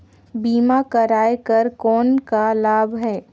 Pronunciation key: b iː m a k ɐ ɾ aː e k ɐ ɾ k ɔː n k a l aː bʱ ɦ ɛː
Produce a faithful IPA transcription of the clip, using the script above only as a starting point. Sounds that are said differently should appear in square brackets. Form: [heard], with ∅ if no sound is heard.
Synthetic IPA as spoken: b iː m a k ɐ ɾ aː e k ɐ ɾ k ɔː n k a l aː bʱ ɦ ɛː